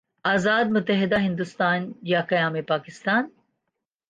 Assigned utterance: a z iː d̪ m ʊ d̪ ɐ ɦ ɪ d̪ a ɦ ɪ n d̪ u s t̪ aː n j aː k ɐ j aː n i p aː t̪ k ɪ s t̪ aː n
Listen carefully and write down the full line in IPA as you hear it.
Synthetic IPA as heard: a z aː d̪ m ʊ t̪ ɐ ɦ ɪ d̪ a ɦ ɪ n d̪ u s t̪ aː n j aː k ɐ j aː m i p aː k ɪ s t̪ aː n